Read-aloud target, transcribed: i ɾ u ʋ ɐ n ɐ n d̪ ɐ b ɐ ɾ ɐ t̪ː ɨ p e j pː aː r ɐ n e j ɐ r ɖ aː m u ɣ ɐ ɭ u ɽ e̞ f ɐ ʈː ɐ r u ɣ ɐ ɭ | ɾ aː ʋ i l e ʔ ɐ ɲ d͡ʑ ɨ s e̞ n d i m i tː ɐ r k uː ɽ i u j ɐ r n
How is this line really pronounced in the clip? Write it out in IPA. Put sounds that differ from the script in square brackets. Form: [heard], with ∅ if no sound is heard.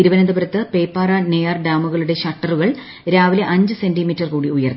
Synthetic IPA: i ɾ u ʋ ɐ n ɐ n d̪ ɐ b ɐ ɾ ɐ t̪ː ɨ p e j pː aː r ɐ n e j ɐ r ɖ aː m u ɣ ɐ ɭ u ɽ e̞ [ɕ] ɐ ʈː ɐ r u ɣ ɐ ɭ | ɾ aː ʋ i l e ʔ ɐ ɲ d͡ʑ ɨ s e̞ n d i m i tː ɐ r k uː ɽ i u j ɐ r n